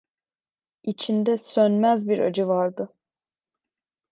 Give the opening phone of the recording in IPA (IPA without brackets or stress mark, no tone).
i